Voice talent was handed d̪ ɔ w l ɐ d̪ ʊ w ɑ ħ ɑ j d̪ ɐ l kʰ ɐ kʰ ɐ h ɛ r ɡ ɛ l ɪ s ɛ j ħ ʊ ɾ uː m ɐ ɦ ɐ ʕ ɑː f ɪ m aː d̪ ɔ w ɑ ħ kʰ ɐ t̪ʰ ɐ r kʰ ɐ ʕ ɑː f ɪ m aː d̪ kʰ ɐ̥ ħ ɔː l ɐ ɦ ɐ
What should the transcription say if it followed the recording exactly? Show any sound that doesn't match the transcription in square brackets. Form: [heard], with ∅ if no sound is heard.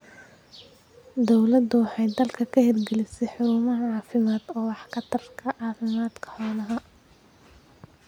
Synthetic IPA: d̪ ɔ w l ɐ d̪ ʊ w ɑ ħ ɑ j d̪ ɐ l kʰ ɐ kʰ ɐ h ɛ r ɡ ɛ l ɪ s ɛ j ħ ʊ ɾ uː m ɐ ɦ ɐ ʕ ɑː f ɪ m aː d̪ [ɔː] w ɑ ħ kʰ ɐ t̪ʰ ɐ r kʰ ɐ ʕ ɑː f ɪ m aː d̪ kʰ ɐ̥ ħ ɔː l ɐ ɦ ɐ